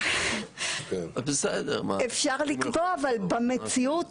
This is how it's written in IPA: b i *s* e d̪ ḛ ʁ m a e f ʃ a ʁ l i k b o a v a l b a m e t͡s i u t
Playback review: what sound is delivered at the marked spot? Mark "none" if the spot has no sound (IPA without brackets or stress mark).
s